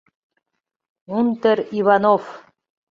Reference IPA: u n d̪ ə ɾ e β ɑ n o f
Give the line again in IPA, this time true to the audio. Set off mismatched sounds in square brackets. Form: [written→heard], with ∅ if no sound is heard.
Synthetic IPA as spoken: u n [d̪→t̪] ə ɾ [e→i] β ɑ n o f